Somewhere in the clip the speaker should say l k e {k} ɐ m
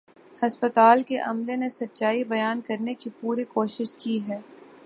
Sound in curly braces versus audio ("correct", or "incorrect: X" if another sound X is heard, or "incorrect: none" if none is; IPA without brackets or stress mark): incorrect: ʔ